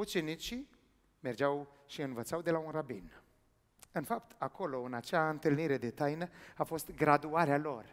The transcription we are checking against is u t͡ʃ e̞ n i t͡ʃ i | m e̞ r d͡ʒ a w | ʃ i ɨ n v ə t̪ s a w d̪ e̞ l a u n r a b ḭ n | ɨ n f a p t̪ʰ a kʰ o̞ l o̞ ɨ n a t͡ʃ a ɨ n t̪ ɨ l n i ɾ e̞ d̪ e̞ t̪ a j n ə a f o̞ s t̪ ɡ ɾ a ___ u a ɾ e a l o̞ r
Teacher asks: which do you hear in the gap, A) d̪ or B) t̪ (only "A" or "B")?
A